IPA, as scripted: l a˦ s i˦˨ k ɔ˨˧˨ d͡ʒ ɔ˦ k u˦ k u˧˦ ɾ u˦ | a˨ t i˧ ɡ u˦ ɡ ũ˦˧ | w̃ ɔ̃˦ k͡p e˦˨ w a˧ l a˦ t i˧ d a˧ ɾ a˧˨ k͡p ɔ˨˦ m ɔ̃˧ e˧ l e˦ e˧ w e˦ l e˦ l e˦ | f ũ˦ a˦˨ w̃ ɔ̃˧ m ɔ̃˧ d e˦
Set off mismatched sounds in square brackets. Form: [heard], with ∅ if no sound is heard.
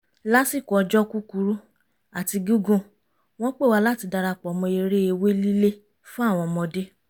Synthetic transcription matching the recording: l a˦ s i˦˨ k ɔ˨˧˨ d͡ʒ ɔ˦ k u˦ k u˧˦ ɾ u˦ | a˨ t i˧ ɡ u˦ ɡ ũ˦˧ | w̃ ɔ̃˦ k͡p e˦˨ w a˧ l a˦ t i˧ d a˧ ɾ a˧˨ k͡p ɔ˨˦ m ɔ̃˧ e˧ [ɾ] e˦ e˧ w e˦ l [i˦] l e˦ | f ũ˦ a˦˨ w̃ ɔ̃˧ m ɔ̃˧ d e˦